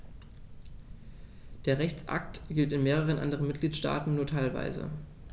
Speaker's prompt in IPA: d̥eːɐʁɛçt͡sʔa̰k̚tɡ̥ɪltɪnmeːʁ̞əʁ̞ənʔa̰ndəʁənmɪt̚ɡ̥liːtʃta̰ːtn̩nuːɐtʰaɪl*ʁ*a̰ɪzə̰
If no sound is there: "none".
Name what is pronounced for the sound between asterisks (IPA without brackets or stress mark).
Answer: v